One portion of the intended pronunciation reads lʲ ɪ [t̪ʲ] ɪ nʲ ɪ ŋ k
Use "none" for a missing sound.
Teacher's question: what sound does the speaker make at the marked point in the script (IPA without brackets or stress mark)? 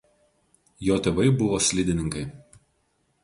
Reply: d̪ʲ